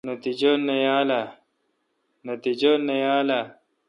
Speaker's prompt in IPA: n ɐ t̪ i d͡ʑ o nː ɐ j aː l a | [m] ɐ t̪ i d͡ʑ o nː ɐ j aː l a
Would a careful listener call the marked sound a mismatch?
yes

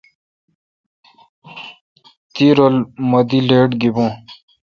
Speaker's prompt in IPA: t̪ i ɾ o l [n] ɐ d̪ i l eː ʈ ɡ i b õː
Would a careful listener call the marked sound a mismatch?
yes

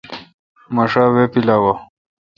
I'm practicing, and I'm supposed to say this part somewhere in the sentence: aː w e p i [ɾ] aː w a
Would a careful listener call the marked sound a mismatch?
yes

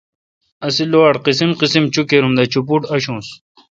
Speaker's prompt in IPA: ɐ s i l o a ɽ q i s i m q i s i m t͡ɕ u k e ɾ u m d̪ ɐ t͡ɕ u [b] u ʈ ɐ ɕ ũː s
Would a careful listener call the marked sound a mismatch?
yes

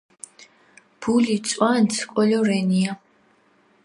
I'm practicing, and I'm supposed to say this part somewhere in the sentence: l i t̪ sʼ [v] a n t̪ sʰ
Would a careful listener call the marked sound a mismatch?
yes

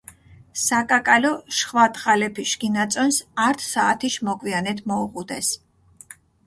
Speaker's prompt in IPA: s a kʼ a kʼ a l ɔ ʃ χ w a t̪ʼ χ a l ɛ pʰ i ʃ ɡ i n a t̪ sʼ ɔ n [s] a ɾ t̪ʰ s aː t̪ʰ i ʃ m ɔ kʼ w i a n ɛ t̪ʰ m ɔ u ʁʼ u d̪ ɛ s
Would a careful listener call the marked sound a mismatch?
no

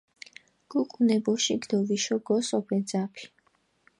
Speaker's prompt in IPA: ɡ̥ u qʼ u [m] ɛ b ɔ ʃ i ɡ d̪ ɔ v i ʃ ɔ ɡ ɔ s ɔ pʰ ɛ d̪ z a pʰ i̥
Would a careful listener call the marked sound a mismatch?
yes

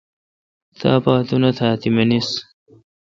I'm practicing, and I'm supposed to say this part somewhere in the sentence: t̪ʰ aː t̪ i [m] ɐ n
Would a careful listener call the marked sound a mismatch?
no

